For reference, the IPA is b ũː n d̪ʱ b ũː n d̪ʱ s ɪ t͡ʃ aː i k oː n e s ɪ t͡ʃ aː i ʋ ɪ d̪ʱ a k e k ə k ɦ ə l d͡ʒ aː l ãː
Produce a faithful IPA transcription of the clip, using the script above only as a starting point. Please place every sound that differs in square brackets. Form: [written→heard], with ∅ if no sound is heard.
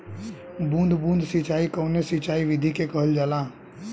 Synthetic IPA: b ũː n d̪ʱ b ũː n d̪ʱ s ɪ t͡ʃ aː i k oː n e s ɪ t͡ʃ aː i ʋ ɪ d̪ʱ [a→i] k e k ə [k→∅] ɦ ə l d͡ʒ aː l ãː